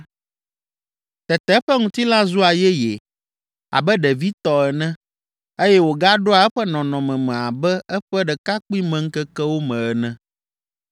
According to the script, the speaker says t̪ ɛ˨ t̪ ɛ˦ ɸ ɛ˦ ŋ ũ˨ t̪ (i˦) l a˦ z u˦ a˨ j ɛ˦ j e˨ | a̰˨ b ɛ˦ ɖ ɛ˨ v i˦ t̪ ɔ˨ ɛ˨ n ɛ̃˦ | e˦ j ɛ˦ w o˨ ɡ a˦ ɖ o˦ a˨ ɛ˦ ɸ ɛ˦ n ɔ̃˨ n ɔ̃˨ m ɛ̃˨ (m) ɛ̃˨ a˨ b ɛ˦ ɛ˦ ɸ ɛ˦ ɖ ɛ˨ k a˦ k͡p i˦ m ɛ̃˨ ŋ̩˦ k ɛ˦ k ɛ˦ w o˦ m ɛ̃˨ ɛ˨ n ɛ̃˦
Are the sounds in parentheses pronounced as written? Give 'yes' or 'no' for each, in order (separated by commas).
yes, yes